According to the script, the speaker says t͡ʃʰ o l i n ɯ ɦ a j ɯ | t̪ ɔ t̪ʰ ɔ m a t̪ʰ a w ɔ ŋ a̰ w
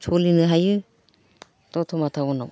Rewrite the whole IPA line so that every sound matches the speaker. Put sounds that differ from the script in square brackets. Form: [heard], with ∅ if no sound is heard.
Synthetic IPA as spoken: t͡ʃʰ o l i n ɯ ɦ a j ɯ | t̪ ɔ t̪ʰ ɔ m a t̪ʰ a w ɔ [n] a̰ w

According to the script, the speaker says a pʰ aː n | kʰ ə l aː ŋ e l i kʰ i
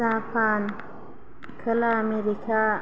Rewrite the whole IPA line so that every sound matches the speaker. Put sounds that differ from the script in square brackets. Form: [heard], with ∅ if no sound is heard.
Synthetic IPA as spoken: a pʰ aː n | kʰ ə l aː [m] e [ɾ] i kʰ [a]

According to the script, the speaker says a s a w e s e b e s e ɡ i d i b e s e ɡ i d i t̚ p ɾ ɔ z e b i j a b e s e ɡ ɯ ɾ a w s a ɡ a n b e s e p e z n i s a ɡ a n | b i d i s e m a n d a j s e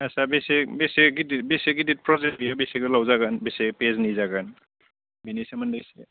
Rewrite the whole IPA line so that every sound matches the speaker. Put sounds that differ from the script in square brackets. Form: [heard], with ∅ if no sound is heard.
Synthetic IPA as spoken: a s a [b] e s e b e s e ɡ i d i b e s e ɡ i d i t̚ p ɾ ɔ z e b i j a b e s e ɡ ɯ [l] a w [z] a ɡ a n b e s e p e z n i [z] a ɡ a n | b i [n] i s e m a n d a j s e

